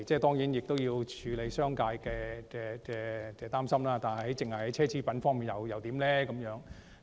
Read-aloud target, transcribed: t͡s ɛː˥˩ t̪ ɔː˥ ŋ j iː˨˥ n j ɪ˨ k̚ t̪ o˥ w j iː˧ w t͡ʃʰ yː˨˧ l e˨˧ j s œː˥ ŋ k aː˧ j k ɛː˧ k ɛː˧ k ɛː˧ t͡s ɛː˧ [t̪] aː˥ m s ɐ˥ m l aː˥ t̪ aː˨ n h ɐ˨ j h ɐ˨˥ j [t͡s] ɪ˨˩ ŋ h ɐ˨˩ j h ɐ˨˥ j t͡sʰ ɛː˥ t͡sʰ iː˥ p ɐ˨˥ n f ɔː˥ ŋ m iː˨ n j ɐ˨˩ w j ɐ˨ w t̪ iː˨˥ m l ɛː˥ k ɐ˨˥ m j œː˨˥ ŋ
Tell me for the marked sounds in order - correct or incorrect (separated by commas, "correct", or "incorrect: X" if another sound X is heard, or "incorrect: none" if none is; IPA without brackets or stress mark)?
correct, correct